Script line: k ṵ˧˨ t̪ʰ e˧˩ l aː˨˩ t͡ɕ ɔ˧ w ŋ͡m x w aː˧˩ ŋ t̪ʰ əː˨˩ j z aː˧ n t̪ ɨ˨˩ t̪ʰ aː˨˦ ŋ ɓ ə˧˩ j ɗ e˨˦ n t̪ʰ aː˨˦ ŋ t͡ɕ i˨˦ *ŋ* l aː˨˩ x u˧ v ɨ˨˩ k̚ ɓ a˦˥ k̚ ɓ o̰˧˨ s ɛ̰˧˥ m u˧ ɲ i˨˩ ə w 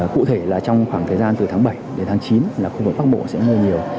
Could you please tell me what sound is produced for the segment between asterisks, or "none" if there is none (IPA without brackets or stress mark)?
n